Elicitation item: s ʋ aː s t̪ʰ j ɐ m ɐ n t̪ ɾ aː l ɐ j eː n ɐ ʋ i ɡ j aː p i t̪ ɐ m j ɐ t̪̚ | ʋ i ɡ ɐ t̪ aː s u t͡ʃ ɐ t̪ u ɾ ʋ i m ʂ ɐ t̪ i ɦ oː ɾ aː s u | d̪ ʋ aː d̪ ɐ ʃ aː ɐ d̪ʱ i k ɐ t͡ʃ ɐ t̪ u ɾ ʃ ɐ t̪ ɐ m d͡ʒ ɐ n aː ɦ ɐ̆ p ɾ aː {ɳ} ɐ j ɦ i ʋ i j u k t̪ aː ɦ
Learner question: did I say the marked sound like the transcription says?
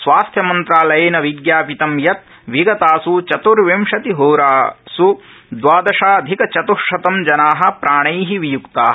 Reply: yes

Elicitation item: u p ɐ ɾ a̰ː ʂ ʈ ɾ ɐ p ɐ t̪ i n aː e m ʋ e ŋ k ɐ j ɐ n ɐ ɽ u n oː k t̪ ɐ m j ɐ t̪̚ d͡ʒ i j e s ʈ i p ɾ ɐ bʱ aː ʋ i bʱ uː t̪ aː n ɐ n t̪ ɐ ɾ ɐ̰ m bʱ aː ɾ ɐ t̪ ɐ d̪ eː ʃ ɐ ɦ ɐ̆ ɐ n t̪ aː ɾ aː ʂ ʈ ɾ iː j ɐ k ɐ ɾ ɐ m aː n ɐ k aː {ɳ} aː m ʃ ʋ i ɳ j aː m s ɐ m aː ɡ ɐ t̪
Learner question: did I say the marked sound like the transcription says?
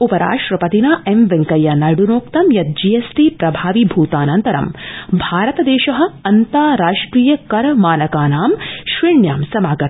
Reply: no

